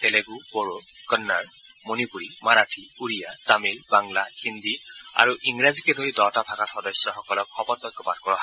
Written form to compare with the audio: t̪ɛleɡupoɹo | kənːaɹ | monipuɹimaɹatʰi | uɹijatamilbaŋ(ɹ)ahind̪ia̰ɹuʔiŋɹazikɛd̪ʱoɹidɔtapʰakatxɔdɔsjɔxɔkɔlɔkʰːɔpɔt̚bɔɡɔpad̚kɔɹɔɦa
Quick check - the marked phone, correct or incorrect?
incorrect